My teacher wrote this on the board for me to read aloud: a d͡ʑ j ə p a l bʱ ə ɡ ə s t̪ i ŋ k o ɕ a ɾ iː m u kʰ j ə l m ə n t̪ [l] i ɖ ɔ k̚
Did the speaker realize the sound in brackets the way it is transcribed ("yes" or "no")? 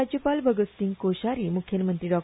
no